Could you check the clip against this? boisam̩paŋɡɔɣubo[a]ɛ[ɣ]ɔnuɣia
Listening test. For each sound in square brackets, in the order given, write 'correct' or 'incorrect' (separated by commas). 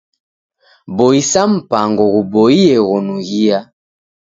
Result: incorrect, correct